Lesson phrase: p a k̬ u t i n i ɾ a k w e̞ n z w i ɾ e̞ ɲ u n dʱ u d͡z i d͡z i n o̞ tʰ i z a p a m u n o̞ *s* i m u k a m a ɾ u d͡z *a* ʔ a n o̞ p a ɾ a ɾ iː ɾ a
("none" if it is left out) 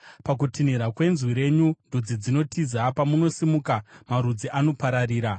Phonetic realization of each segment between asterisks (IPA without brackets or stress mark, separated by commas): s, i